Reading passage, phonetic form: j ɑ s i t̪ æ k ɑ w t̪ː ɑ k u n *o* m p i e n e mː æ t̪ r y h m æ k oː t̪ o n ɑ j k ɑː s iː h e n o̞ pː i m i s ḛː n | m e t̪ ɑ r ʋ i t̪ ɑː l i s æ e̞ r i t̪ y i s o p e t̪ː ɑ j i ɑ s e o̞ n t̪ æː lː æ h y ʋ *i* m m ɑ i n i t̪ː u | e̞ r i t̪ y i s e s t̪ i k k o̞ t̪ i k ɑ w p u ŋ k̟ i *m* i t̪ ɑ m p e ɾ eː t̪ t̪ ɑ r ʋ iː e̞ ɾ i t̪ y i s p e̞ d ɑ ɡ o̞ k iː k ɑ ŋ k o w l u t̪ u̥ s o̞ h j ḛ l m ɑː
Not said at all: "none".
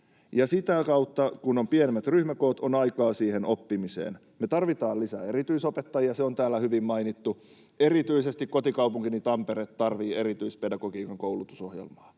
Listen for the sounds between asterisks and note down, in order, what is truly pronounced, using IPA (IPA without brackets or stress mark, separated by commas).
o, i, n